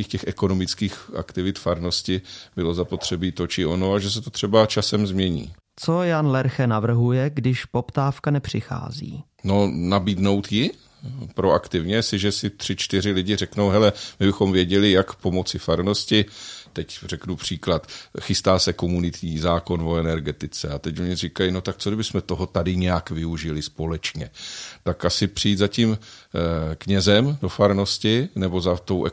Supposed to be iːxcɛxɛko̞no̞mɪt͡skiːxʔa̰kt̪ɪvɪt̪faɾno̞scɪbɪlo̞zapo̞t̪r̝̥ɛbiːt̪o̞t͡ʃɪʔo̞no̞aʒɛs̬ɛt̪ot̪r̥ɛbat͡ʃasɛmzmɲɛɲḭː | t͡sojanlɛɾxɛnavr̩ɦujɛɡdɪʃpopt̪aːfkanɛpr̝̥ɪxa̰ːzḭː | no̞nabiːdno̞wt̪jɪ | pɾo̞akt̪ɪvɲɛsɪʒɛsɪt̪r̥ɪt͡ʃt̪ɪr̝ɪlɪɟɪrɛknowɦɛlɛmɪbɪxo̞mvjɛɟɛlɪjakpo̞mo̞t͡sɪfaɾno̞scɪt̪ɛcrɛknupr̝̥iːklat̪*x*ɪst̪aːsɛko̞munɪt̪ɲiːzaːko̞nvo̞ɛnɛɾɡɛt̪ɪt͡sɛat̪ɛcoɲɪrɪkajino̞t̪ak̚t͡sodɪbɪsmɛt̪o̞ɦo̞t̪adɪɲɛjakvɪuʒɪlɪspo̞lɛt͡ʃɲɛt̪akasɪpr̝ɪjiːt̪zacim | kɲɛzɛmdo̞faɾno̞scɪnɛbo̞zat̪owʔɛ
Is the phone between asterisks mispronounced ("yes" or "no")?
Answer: no